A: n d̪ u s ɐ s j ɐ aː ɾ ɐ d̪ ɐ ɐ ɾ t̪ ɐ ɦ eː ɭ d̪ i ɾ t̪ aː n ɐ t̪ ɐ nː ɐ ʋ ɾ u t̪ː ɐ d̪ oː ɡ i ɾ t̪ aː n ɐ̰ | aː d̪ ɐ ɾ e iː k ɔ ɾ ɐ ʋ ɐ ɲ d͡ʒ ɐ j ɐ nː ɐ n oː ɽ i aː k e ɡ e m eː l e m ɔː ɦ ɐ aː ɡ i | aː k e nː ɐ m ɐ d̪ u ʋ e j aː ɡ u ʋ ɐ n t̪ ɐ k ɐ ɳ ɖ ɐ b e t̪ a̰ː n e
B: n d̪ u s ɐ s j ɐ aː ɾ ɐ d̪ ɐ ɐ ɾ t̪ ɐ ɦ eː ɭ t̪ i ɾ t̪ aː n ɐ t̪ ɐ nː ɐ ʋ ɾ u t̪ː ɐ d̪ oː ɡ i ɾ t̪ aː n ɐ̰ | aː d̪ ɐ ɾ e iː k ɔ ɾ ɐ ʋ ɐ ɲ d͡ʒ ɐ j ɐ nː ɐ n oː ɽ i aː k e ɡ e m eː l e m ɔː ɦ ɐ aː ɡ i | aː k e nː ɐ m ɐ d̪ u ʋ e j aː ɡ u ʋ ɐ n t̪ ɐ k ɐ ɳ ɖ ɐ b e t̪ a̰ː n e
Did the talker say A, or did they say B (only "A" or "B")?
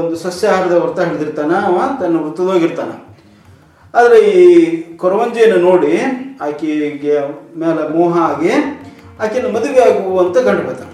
A